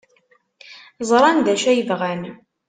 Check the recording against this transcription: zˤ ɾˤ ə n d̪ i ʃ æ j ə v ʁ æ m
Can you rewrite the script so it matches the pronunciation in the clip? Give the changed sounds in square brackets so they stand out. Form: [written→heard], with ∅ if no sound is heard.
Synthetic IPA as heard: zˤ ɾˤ [ə→ɑ] n d̪ [i→æ] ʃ æ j ə v ʁ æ [m→n]